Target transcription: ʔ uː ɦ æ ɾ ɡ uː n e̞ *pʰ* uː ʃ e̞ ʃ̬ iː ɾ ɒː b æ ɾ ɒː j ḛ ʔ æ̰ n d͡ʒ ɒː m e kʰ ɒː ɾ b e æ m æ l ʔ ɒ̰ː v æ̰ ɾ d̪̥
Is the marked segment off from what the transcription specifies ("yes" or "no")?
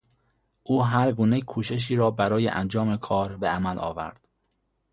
yes